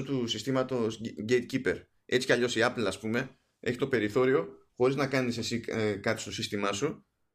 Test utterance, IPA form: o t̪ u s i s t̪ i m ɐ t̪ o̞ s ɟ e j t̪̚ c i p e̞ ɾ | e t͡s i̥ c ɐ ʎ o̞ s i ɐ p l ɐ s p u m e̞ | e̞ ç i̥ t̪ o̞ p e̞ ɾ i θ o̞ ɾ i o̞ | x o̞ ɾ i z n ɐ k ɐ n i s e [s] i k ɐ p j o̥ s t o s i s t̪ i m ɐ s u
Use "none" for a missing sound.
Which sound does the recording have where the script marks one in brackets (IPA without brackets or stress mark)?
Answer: s